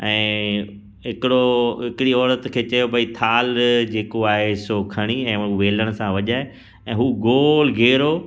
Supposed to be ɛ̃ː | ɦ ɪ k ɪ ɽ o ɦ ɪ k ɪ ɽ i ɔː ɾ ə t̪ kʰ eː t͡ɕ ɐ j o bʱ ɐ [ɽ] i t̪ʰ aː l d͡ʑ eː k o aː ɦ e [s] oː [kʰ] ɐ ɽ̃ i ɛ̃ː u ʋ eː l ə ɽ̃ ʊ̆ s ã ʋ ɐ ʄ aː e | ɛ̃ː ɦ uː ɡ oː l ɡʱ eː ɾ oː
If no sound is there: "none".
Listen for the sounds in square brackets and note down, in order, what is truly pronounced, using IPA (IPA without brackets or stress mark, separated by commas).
none, s, kʰ